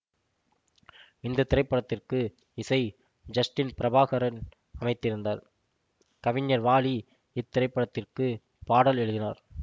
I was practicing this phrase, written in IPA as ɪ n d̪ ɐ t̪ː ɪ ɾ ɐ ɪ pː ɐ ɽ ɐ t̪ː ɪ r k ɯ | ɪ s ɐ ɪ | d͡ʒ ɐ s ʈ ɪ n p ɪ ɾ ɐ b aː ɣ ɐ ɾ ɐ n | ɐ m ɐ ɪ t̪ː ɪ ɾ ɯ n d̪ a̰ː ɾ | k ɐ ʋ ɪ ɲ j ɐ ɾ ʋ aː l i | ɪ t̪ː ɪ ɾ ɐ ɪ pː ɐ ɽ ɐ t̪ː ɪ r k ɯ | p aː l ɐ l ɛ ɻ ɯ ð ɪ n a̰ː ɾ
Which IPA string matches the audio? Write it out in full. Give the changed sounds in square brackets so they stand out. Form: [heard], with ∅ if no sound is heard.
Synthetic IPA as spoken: ɪ n d̪ ɐ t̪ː ɪ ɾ ɐ ɪ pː ɐ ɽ ɐ t̪ː ɪ r k ɯ | ɪ s ɐ ɪ | d͡ʒ ɐ s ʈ ɪ n p ɪ ɾ ɐ b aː ɣ ɐ ɾ ɐ n | ɐ m ɐ ɪ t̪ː ɪ ɾ ɯ n d̪ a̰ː ɾ | k ɐ ʋ ɪ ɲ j ɐ ɾ ʋ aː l i | ɪ t̪ː ɪ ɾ ɐ ɪ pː ɐ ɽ ɐ t̪ː ɪ r k ɯ | p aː [ɽ] ɐ l ɛ ɻ ɯ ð ɪ n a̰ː ɾ

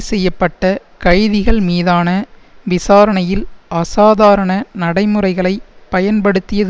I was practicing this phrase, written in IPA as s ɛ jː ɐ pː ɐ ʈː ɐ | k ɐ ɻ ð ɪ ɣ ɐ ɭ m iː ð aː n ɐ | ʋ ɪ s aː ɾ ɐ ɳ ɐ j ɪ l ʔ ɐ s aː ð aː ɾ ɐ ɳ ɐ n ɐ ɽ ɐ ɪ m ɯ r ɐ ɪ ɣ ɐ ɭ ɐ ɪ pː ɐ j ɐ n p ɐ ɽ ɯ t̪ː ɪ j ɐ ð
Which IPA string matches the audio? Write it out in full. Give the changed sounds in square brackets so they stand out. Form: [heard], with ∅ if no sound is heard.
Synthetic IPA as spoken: s ɛ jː ɐ pː ɐ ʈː ɐ | k ɐ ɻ ð ɪ ɣ ɐ ɭ m iː ð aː n ɐ | ʋ ɪ s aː ɾ ɐ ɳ ɐ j ɪ l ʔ ɐ s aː ð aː ɾ ɐ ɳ ɐ n ɐ ɽ ɐ ɪ m ɯ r ɐ ɪ ɣ ɐ ɭ ɐ ɪ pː ɐ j ɐ n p ɐ ɽ ɯ t̪ː ɪ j ɐ ð

